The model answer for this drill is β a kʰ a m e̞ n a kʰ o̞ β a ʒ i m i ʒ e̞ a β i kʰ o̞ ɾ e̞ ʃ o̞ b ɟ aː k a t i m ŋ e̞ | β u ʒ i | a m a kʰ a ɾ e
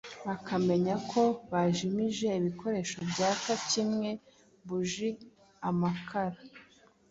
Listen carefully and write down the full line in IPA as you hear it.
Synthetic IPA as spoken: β a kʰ a m e̞ ɲ a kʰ o̞ β a ʒ i m i ʒ e̞ i β i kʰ o̞ ɾ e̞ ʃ o̞ b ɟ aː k a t i m ŋ e̞ | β u ʒ i | a m a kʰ a ɾ a